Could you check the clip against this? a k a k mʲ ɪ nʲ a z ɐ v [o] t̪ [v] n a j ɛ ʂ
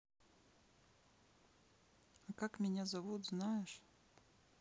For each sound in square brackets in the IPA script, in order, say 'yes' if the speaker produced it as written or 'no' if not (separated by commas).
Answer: no, no